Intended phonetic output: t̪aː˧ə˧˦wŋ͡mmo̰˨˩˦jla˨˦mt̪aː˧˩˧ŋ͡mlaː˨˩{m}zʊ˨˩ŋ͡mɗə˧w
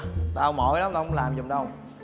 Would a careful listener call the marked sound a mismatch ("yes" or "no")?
no